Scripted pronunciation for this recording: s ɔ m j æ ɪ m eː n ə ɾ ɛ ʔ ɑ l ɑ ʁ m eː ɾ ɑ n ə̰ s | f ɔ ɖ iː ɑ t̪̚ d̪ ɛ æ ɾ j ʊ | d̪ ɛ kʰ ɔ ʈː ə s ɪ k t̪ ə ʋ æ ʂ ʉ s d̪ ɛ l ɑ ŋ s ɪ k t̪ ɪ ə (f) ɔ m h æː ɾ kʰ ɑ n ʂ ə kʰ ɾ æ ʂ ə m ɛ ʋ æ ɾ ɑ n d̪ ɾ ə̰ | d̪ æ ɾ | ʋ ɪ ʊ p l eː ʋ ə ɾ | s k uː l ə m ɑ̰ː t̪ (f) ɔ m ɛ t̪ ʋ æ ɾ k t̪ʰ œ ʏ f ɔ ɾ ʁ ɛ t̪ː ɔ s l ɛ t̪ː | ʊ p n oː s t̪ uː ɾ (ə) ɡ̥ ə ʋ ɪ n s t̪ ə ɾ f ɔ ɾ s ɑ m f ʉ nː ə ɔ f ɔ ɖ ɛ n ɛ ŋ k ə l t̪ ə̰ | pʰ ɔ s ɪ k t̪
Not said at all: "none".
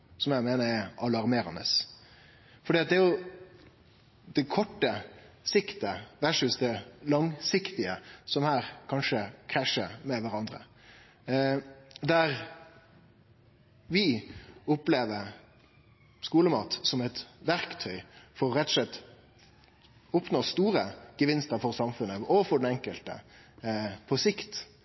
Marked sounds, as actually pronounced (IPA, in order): s, s, ə

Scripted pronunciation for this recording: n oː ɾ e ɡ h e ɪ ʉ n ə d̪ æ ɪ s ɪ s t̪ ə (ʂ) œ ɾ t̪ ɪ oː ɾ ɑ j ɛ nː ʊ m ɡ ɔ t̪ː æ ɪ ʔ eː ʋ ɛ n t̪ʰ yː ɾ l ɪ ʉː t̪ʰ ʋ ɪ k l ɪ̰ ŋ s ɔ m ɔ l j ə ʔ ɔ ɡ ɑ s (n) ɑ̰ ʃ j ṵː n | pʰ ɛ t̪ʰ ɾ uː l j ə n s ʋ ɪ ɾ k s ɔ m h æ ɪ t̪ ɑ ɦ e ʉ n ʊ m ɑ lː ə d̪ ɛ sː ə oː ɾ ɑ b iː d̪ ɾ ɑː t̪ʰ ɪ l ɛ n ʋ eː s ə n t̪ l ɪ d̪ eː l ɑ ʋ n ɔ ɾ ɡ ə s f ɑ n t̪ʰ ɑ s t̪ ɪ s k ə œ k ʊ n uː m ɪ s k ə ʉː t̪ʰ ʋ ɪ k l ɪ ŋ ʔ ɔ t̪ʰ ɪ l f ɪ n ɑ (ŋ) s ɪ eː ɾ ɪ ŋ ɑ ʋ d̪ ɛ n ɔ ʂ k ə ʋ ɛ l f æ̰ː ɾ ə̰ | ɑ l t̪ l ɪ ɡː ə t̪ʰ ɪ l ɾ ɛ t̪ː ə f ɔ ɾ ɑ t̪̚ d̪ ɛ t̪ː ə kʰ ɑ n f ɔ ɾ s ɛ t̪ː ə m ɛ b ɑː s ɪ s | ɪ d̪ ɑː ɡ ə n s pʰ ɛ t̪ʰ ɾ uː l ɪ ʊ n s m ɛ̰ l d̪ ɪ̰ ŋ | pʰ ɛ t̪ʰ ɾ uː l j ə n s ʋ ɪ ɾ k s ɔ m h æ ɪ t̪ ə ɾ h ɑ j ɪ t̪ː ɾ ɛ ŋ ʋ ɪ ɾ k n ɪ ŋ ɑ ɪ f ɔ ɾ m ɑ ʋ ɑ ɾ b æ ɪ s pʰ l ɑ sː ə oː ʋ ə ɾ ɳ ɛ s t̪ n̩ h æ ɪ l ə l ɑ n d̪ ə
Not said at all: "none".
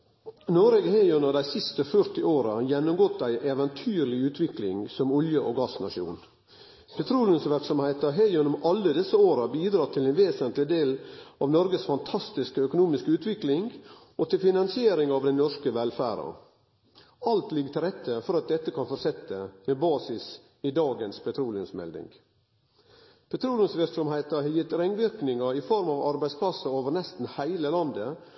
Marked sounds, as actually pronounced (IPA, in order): f, n, n

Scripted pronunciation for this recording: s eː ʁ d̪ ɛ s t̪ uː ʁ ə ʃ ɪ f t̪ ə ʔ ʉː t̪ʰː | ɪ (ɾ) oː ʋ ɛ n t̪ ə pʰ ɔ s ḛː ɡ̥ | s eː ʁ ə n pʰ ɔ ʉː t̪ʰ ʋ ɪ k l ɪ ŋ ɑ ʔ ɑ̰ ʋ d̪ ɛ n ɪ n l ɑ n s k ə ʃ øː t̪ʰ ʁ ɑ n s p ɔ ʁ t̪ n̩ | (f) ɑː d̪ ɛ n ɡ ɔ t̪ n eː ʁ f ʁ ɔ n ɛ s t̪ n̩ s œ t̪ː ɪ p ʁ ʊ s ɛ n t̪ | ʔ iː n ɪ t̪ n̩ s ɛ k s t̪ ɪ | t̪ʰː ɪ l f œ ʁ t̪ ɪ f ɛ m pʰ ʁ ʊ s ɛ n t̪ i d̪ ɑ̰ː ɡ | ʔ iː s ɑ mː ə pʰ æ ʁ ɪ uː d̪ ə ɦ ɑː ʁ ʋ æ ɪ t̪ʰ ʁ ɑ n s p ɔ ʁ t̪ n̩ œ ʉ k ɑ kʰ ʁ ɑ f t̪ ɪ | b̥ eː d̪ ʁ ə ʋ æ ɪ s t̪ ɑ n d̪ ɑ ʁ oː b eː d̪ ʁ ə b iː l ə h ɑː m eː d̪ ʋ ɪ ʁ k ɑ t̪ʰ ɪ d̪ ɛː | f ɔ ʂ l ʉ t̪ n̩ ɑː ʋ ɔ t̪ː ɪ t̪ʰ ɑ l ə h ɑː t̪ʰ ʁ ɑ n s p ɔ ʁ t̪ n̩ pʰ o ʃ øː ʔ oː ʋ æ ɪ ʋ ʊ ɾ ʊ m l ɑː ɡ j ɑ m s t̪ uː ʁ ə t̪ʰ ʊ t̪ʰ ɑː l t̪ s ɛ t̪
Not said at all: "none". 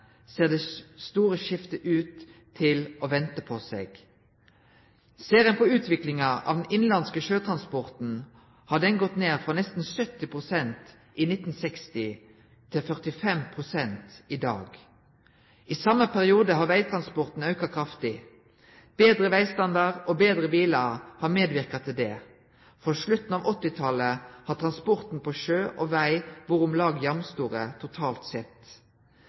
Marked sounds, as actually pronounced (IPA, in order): l, h

